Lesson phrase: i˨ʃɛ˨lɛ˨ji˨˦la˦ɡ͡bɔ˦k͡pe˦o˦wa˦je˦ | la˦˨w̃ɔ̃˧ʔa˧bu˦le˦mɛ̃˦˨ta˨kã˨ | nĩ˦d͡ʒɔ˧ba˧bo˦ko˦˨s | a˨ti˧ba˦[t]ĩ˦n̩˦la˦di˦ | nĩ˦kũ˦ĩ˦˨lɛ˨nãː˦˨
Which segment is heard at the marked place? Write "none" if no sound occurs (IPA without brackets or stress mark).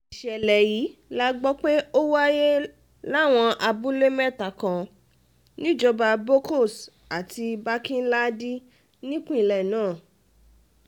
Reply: k